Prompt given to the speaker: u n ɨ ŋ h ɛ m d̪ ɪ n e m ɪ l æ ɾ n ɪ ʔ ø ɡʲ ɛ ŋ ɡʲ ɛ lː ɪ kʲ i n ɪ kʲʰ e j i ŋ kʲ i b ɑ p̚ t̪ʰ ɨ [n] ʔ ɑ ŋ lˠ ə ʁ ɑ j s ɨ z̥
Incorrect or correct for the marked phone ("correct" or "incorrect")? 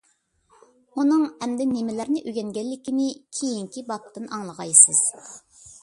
correct